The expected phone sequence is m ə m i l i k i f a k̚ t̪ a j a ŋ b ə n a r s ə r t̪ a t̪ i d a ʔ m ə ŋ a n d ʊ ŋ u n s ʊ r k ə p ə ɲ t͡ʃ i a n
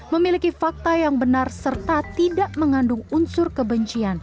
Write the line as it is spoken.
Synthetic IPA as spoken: m ə m i l i k i f a k̚ t̪ a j a ŋ b ə n a r s ə r t̪ a t̪ i d a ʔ m ə ŋ a n d ʊ ŋ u n s ʊ r k ə b ə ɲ t͡ʃ i a n